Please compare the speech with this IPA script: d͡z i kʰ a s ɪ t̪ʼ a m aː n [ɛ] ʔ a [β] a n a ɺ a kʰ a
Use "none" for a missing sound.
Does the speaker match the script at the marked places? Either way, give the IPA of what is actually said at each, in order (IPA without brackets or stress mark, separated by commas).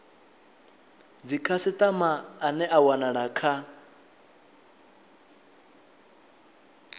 ɛ, w